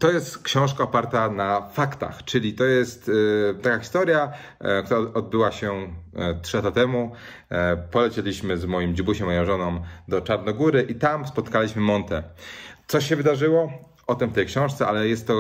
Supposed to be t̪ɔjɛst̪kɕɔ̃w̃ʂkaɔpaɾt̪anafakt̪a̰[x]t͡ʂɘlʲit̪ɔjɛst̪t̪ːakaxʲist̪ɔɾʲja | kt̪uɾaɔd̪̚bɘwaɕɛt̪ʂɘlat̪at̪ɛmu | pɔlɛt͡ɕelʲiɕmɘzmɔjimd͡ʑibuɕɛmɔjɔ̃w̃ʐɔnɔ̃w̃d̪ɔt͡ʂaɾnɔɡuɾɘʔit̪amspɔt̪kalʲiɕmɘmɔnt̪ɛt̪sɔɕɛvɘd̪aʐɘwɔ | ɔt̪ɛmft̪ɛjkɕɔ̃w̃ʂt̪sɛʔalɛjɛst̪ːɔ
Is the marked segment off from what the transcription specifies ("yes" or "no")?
no